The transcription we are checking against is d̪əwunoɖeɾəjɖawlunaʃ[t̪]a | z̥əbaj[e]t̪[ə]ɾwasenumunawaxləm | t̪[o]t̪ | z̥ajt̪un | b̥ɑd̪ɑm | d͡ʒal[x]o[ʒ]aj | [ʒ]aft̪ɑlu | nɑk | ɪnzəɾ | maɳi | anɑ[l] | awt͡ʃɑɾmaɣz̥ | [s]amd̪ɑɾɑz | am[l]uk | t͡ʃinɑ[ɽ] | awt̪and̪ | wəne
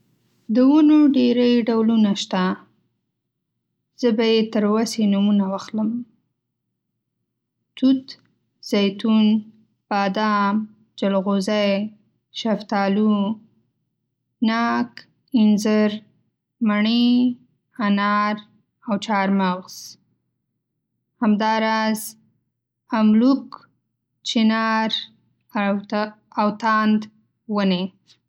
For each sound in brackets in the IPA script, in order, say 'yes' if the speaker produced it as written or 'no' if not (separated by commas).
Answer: yes, yes, yes, no, no, no, no, no, no, yes, no